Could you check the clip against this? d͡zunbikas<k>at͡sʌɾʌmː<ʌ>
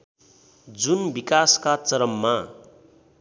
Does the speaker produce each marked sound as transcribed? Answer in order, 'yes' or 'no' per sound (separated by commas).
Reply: yes, no